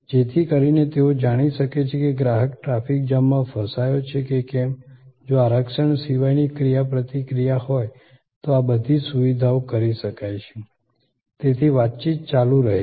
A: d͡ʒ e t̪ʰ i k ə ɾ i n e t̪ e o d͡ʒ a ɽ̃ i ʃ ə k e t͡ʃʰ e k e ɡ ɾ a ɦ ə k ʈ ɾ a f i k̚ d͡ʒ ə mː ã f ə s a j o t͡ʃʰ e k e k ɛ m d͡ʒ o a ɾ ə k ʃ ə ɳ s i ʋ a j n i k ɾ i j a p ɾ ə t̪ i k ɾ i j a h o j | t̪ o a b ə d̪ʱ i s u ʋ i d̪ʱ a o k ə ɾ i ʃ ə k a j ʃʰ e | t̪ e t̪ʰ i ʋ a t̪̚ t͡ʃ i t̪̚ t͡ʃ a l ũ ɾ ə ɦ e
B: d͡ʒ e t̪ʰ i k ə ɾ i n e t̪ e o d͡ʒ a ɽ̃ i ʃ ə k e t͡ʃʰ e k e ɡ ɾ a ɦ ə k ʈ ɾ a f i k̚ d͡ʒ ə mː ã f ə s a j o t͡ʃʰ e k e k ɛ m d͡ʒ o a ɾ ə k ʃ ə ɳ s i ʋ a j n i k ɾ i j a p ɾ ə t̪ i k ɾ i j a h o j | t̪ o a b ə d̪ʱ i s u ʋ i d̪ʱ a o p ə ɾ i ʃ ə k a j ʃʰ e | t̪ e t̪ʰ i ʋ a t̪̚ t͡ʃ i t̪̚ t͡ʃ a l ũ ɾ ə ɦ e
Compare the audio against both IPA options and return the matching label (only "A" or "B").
A